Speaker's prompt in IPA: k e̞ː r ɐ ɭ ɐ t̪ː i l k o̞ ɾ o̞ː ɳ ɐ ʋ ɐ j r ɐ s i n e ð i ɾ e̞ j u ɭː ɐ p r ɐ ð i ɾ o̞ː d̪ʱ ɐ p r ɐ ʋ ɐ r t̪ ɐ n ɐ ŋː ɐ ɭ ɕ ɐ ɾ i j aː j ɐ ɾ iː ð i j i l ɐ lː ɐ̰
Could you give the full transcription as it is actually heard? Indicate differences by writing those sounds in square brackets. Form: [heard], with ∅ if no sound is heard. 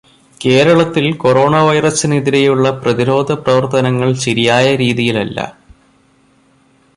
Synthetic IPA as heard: k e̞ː [ɾ] ɐ ɭ ɐ t̪ː i l k o̞ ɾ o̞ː ɳ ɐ ʋ ɐ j r ɐ s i n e ð i ɾ e̞ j u ɭː ɐ p r ɐ ð i ɾ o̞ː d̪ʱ ɐ p r ɐ ʋ ɐ r t̪ ɐ n ɐ ŋː ɐ ɭ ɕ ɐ ɾ i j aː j ɐ ɾ iː ð i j i l ɐ lː ɐ̰